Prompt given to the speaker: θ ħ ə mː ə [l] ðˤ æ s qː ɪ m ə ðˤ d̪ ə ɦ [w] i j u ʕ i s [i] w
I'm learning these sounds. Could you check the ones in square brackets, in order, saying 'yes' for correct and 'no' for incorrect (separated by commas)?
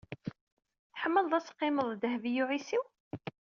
yes, no, yes